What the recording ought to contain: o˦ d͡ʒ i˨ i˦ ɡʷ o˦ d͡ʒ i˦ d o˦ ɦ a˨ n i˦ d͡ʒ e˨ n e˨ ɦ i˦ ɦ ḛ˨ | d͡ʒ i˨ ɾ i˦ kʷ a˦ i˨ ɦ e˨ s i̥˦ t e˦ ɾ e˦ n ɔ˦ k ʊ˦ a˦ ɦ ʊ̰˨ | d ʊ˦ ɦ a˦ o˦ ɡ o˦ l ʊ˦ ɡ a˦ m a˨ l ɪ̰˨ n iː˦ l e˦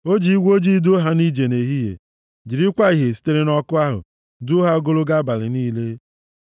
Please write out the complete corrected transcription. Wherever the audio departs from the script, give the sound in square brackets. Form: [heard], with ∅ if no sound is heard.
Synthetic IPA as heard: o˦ d͡ʒ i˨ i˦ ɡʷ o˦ d͡ʒ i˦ d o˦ ɦ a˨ n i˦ d͡ʒ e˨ n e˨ ɦ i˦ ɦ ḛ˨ | d͡ʒ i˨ ɾ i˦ kʷ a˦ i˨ ɦ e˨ s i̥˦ t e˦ ɾ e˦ n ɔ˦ k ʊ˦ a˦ ɦ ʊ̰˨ | d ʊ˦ ɦ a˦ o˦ ɡ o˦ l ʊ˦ ɡ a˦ [b] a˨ l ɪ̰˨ n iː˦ l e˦